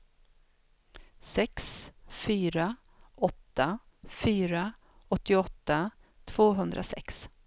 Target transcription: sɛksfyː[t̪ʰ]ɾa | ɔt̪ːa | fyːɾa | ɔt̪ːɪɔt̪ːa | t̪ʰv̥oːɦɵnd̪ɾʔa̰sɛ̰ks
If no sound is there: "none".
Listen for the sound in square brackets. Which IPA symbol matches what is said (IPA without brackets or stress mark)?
none